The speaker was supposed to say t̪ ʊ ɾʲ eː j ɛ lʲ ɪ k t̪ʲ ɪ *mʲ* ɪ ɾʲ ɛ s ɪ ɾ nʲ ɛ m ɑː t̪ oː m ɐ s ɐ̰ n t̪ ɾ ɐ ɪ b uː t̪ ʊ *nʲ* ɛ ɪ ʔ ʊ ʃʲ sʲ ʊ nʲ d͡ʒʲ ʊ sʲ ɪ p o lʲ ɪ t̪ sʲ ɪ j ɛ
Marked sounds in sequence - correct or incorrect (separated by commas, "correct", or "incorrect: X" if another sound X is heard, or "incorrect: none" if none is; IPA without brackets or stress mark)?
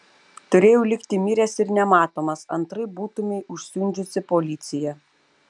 correct, incorrect: mʲ